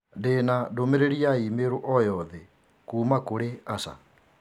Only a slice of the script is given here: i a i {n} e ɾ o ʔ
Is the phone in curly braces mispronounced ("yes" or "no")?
yes